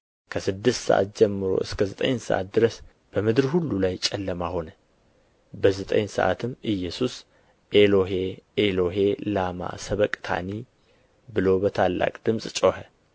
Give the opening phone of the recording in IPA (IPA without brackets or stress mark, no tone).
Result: kʰ